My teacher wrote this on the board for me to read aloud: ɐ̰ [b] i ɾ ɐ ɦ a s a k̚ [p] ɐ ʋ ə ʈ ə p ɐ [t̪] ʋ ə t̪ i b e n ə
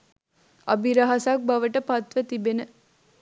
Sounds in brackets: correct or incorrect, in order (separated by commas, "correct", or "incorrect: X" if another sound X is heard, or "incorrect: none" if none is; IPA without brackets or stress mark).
correct, incorrect: b, correct